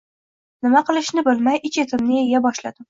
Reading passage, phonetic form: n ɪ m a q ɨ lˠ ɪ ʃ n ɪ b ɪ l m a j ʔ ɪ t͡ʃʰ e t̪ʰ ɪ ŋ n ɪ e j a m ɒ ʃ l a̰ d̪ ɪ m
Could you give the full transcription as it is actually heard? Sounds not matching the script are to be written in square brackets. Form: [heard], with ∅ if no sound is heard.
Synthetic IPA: n ɪ m a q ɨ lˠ ɪ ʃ n ɪ b ɪ l m a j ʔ ɪ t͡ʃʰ e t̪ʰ ɪ [m] n ɪ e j a [b] ɒ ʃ l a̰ d̪ ɪ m